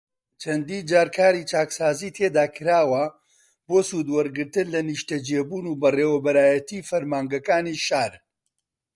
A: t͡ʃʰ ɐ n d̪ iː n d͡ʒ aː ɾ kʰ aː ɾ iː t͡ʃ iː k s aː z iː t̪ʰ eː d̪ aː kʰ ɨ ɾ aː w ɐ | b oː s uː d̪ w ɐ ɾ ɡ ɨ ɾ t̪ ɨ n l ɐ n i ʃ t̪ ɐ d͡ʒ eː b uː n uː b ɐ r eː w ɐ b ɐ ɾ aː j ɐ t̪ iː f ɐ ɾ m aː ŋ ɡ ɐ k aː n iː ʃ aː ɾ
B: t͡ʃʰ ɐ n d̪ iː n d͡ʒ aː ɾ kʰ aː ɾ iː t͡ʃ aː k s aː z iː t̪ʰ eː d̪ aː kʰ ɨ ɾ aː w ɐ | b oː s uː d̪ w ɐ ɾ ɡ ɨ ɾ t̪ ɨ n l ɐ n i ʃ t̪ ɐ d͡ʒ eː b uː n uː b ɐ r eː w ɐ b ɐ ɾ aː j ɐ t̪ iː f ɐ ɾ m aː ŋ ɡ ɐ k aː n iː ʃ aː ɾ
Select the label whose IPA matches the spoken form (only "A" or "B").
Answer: B